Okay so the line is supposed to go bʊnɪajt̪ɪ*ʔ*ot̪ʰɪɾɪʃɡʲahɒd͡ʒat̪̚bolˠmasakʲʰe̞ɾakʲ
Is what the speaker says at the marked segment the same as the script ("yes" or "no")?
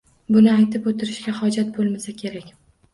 no